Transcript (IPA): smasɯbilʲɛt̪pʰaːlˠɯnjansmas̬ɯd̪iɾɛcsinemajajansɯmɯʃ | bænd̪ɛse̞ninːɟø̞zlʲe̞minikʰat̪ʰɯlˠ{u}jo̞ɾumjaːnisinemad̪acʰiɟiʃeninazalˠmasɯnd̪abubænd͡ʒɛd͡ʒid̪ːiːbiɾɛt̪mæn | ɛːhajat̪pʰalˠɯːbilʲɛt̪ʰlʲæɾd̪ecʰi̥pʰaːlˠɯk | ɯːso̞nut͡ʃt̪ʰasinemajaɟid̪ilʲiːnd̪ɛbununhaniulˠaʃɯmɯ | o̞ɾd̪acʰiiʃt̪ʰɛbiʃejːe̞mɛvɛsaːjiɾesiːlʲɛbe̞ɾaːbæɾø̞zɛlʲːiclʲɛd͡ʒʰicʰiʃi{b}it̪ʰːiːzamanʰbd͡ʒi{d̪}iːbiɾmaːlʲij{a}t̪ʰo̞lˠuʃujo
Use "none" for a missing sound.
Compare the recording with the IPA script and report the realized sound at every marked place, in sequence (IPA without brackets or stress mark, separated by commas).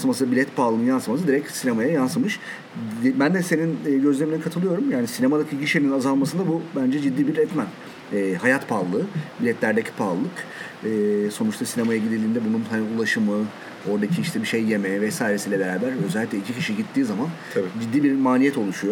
ɯ, ɟ, d̪ː, ɛ